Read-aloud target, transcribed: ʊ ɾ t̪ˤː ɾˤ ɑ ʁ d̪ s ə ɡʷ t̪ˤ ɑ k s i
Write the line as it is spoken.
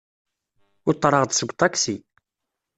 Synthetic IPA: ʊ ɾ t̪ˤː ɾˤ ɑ ʁ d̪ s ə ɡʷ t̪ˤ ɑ k s i